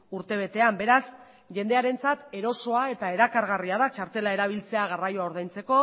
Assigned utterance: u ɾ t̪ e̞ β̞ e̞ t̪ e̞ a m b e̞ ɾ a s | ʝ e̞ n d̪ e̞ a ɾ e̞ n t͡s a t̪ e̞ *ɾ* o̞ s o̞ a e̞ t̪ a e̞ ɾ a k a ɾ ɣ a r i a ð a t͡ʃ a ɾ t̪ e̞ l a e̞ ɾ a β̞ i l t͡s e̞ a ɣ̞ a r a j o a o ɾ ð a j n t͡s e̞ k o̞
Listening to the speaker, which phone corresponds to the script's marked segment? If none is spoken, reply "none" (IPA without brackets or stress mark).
ɾ